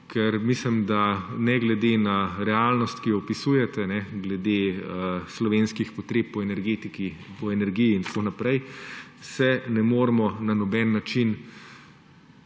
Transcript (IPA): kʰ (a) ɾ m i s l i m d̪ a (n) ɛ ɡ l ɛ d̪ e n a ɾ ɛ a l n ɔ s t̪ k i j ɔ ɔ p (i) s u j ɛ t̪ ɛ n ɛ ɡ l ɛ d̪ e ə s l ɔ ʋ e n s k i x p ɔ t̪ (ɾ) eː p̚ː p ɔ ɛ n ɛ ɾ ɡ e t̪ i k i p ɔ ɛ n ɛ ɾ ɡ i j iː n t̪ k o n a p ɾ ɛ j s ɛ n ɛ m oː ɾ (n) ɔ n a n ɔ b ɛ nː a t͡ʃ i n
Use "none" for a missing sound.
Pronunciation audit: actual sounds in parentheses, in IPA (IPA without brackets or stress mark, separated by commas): ɛ, n, i, ɾ, m